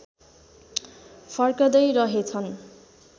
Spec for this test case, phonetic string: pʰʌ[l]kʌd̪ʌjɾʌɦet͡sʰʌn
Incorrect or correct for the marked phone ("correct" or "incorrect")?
incorrect